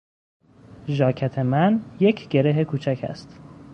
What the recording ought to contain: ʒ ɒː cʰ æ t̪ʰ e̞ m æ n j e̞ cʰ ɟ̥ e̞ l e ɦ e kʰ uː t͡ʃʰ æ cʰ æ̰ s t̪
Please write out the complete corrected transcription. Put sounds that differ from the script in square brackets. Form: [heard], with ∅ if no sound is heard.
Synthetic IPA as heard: ʒ ɒː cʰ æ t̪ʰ e̞ m æ n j e̞ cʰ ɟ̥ e̞ [ɾ] e ɦ e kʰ uː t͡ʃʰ æ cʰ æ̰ s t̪